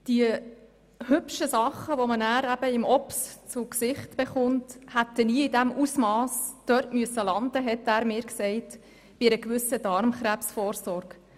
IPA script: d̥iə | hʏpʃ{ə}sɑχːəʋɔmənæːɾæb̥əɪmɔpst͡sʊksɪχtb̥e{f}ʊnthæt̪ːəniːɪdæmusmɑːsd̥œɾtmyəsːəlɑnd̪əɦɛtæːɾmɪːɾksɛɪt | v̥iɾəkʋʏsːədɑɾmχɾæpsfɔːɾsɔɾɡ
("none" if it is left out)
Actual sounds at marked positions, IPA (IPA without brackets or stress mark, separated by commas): ə, χ